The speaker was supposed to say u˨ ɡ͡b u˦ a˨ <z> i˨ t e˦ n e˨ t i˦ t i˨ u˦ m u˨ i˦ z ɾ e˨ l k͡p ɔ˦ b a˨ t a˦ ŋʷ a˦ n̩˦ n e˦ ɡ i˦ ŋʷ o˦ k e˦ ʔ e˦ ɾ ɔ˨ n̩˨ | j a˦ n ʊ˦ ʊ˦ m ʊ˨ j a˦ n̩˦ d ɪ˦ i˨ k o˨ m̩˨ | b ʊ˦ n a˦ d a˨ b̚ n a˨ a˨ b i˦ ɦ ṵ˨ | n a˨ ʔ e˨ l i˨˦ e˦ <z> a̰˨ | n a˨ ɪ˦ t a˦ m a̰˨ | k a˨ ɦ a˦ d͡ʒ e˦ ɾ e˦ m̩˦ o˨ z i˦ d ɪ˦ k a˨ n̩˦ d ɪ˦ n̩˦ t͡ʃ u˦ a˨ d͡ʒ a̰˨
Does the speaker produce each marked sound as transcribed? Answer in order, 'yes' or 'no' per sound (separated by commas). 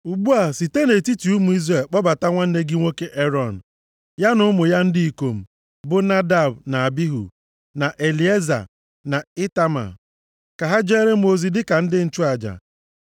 no, yes